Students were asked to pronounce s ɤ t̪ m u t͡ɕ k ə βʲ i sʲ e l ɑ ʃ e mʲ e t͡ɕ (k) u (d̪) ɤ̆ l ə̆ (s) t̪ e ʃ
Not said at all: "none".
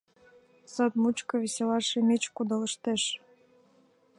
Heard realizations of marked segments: k, d̪, ʃ

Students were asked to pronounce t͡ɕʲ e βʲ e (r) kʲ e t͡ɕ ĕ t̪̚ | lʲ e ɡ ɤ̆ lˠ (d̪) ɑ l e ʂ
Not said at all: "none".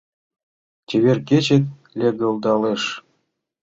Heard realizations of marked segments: r, d̪

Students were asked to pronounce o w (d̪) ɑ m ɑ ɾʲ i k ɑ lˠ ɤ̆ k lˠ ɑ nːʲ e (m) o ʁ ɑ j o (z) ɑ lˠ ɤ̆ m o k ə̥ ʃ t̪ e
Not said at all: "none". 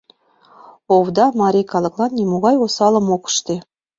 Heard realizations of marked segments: d̪, m, s

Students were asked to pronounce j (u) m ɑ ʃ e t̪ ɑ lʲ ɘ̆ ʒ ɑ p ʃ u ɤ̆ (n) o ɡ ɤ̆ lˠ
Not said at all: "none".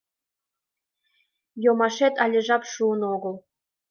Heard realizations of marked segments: o, n

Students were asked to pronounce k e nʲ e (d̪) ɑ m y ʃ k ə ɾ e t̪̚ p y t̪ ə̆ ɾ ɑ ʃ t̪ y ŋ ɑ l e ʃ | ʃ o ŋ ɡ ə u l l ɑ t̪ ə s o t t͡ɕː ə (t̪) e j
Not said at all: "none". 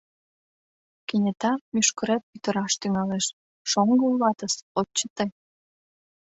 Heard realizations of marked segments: t̪, t̪

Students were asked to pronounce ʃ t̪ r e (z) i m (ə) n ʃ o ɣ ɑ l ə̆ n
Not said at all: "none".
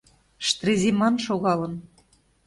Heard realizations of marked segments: z, ɑ

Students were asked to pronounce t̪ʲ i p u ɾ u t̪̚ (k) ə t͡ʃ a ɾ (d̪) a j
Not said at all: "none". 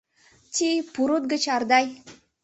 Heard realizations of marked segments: ɡ, d̪

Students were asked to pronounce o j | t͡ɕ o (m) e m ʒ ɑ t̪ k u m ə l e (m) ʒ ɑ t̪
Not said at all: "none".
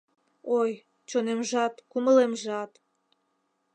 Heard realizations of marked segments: n, m

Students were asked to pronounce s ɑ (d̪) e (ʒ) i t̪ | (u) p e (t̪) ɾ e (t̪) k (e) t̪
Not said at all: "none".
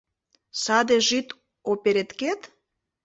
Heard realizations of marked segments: d̪, ʒ, o, none, t̪, e

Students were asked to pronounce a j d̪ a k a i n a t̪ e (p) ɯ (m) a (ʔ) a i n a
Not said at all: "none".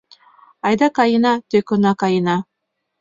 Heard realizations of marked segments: k, n, k

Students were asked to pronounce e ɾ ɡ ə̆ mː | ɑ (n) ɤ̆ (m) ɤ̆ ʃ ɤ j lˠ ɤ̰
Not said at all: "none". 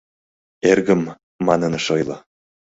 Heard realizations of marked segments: n, n

